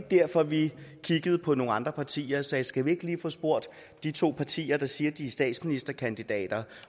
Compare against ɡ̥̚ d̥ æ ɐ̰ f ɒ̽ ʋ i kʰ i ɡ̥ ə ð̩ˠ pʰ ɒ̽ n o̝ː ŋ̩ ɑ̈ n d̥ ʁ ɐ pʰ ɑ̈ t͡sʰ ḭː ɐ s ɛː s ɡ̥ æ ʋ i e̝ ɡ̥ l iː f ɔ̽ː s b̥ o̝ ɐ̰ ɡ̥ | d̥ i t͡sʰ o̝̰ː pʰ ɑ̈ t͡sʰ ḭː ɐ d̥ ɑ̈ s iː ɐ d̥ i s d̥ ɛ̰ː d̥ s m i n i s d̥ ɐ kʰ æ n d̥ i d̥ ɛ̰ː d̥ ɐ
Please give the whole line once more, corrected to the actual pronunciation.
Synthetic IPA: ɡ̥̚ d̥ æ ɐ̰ f ɒ̽ ʋ i kʰ i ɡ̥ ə ð̩ˠ pʰ ɒ̽ n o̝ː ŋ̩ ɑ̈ n d̥ ʁ ɐ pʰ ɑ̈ t͡sʰ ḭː ɐ s ɛː s ɡ̥ æ ʋ i e̝ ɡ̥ l iː f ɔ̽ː s b̥ o̝ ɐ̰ d̥ | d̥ i t͡sʰ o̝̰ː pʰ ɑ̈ t͡sʰ ḭː ɐ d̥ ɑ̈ s iː ɐ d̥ i s d̥ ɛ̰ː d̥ s m i n i s d̥ ɐ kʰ æ n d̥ i d̥ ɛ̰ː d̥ ɐ

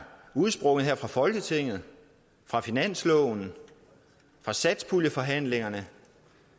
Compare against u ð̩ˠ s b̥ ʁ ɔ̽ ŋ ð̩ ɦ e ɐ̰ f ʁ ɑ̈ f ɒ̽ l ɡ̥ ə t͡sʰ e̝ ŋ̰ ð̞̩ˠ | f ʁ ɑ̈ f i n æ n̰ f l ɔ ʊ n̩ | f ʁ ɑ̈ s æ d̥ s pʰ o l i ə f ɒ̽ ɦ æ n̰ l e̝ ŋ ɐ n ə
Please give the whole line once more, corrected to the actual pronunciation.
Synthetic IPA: u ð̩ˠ s b̥ ʁ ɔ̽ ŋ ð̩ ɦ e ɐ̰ f ʁ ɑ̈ f ɒ̽ l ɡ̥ ə t͡sʰ e̝ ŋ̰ ð̞̩ˠ | f ʁ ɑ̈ f i n æ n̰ s l ɔ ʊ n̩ | f ʁ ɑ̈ s æ d̥ s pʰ u l j ə f ɒ̽ ɦ æ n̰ l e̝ ŋ ɐ n ə

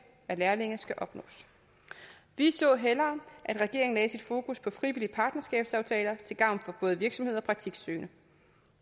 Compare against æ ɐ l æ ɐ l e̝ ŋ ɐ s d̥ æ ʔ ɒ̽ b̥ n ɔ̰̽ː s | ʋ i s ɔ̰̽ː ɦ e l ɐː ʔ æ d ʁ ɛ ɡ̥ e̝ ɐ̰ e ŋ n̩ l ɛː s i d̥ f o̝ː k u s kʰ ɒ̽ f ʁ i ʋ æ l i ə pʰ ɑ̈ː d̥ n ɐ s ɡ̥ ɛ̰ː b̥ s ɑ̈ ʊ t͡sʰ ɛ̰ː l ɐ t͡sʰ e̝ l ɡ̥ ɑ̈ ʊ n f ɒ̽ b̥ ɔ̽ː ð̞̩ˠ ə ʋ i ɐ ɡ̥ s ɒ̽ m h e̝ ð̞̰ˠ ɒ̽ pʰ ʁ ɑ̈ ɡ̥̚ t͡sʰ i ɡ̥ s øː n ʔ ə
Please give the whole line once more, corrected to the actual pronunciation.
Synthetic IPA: æ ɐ l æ ɐ l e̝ ŋ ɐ s ɡ̥ æ ʔ ɒ̽ b̥ n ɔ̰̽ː s | ʋ i s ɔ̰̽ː ɦ e l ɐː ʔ æ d ʁ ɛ ɡ̥ e̝ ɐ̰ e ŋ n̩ l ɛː s i d̥ f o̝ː k u s pʰ ɒ̽ f ʁ i ʋ i l i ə pʰ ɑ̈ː d̥ n ɐ s ɡ̥ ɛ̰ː b̥ s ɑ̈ ʊ t͡sʰ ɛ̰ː l ɐ t͡sʰ e̝ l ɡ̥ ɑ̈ ʊ n f ɒ̽ b̥ ɔ̽ː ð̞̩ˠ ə ʋ i ɐ ɡ̥ s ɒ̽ m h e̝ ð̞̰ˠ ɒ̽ pʰ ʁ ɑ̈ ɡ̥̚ t͡sʰ i ɡ̥ s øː n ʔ ə

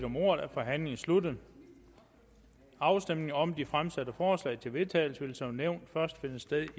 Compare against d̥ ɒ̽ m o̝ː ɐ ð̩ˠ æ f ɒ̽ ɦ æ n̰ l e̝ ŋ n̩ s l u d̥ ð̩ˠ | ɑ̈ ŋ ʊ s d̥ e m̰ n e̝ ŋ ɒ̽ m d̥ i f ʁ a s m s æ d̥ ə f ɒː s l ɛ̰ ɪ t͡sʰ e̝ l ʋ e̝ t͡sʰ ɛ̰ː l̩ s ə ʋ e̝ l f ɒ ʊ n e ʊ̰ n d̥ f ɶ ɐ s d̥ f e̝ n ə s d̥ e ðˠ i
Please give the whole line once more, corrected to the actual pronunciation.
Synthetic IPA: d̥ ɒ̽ m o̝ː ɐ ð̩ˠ æ f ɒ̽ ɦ æ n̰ l e̝ ŋ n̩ s l u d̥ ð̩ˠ | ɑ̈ ʊ s d̥ e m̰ n e̝ ŋ ɒ̽ m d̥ i f ʁ a m s æ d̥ ə f ɒː s l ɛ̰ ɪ t͡sʰ e̝ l ʋ e̝ t͡sʰ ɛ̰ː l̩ s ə ʋ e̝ l s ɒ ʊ n e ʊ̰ n d̥ f ɶ ɐ s d̥ f e̝ n ə s d̥ e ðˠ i

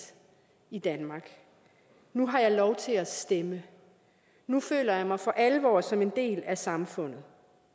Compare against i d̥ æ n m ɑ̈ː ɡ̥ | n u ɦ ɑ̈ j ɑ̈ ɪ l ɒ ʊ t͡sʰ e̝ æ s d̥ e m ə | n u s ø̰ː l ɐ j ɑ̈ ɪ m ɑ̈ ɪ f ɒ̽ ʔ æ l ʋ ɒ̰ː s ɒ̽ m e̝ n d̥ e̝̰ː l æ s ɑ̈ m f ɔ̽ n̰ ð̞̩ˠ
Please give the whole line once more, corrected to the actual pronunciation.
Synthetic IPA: i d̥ æ n m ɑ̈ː ɡ̥ | n u ɦ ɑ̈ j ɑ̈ ɪ l ɒ ʊ t͡sʰ e̝ æ s d̥ e m ə | n u f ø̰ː l ɐ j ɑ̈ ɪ m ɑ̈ ɪ f ɒ̽ ʔ æ l ʋ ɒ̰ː s ɒ̽ m e̝ n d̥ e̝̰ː l æ s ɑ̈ m f ɔ̽ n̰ ð̞̩ˠ

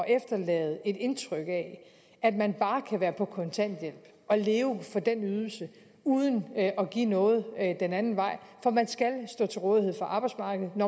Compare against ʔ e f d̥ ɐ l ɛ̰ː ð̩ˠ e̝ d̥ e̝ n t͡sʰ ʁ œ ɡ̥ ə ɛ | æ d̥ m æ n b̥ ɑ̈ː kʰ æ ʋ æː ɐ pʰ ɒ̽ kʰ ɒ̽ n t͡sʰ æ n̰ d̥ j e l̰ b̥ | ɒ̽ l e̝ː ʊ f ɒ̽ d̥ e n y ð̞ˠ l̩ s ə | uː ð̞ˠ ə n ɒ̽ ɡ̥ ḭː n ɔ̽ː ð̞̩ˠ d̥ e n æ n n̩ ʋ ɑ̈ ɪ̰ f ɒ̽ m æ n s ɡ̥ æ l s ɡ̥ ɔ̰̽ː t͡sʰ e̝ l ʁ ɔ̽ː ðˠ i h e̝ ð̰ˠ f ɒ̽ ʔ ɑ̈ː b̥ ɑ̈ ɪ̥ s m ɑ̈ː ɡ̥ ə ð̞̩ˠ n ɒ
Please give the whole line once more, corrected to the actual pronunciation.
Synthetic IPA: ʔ e f d̥ ɐ l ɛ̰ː ð̩ˠ e̝ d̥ e̝ n t͡sʰ ʁ œ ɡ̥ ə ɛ | æ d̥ m æ n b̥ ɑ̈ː kʰ æ ʋ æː ɐ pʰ ɒ̽ kʰ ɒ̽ n t͡sʰ æ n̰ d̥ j e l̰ b̥ | ɒ̽ l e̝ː ʊ f ɒ̽ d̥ e n y ð̞ˠ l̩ s ə | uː ð̞ˠ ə n ɒ̽ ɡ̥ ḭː n ɔ̽ː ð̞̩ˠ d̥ e n æ n n̩ ʋ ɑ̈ ɪ̰ f ɒ̽ m æ n s ɡ̥ æ l s d̥ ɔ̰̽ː t͡sʰ e̝ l ʁ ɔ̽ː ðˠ i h e̝ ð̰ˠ f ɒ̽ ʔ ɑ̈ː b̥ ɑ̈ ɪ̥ s m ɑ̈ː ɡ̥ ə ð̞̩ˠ n ɒ

